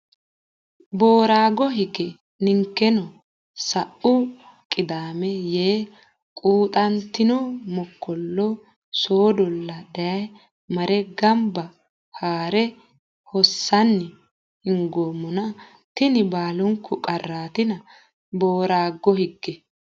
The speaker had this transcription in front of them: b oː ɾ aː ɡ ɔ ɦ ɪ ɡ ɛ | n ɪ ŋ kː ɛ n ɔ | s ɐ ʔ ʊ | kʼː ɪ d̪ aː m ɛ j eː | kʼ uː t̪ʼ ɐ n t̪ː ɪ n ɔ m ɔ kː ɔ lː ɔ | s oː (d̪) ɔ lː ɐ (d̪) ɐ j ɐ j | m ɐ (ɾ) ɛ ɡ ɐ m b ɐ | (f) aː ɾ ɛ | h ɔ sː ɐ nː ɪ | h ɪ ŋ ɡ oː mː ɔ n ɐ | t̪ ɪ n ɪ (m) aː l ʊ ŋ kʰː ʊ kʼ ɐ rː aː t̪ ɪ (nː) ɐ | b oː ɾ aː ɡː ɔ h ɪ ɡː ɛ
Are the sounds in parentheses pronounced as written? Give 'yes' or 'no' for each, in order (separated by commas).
yes, yes, yes, no, no, no